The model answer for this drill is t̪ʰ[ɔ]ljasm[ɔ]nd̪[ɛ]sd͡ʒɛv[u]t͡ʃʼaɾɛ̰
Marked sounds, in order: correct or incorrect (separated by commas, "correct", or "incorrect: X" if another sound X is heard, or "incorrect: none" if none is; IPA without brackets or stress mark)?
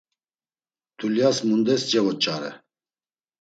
incorrect: u, incorrect: u, correct, incorrect: ɔ